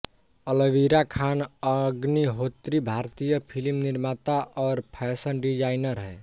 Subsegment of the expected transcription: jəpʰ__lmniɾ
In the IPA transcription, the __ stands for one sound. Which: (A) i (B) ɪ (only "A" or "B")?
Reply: A